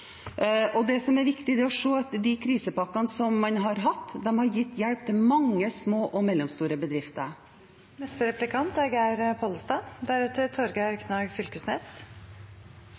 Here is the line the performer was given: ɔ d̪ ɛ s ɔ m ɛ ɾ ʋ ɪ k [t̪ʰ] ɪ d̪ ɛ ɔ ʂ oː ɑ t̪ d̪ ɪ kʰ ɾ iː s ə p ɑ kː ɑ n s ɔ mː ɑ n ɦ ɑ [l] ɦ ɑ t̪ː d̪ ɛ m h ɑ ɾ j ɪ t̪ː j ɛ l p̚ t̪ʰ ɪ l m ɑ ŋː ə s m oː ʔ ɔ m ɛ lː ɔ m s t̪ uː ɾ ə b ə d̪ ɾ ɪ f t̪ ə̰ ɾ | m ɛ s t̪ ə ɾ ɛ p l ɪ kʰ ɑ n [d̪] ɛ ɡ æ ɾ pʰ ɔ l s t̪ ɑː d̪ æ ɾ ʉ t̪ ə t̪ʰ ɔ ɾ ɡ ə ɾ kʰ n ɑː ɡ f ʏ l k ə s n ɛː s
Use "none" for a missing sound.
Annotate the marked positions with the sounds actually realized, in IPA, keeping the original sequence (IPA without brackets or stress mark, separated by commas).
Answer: t̪, ɾ, t̪